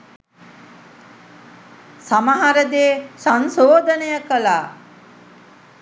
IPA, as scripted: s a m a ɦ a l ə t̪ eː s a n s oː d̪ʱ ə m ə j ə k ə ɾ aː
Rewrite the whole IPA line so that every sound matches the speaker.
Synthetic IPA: s a m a ɦ a ɾ ə d̪ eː s a n s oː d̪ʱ ə n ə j ə k ə l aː